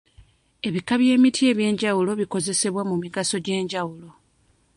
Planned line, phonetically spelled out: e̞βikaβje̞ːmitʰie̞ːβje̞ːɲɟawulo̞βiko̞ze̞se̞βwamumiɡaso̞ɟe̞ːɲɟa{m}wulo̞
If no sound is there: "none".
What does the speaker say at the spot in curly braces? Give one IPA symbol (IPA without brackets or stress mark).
none